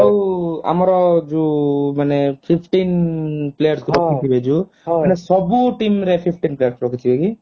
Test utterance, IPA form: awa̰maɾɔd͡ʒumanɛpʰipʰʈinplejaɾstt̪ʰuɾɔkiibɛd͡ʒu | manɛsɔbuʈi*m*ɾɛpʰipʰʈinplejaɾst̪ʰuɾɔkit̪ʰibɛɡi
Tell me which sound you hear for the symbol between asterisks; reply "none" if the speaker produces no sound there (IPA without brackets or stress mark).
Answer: m